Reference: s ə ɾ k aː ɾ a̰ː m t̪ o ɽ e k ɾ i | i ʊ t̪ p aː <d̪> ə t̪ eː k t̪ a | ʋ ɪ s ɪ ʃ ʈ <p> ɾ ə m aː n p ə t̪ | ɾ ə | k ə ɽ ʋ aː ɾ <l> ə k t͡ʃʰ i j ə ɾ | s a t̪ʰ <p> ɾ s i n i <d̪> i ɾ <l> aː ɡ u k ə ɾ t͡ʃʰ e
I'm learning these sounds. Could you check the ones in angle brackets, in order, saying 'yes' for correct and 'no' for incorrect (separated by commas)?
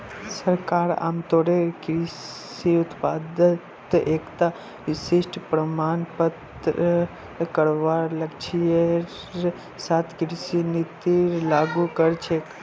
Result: yes, yes, yes, no, no, yes